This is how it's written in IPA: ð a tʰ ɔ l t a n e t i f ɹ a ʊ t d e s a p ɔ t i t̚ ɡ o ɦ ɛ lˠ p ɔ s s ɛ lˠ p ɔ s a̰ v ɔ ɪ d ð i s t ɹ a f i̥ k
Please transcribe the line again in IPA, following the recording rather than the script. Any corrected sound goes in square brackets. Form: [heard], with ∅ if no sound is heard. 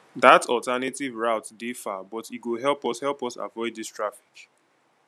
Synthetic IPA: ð a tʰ ɔ l t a n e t i [v] ɹ a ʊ t d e [f] a [b] ɔ t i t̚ ɡ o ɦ ɛ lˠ p ɔ s [h] ɛ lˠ p ɔ s a̰ v ɔ ɪ d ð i s t ɹ a f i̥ k